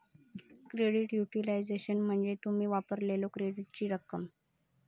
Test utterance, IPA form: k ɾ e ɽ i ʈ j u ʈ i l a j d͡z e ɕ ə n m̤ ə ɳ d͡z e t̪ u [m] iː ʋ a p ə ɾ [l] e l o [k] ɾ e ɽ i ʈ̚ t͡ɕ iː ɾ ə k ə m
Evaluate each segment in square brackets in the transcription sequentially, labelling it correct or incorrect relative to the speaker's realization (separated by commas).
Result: correct, correct, correct